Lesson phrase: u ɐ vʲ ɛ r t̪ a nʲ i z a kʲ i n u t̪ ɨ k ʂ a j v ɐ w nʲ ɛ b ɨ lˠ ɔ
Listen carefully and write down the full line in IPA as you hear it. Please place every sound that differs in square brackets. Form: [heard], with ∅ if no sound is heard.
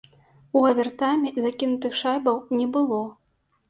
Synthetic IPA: u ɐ vʲ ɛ r t̪ a [mʲ] i z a kʲ i n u t̪ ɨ [x] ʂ a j [b] ɐ w nʲ ɛ b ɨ lˠ ɔ